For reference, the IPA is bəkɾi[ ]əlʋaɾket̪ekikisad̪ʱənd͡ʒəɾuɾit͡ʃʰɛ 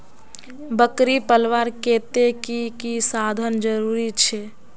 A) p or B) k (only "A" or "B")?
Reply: A